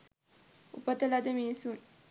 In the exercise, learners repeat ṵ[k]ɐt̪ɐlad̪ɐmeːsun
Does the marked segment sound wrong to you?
yes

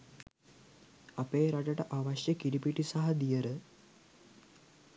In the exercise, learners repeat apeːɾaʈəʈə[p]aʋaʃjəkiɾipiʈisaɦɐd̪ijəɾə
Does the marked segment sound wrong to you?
yes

